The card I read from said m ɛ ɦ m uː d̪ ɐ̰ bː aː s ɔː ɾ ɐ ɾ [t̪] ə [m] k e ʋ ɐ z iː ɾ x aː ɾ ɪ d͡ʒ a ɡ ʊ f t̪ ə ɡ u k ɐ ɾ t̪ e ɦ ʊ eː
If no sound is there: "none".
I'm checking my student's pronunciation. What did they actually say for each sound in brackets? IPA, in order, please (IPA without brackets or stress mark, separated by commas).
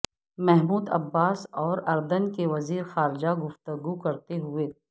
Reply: d̪, n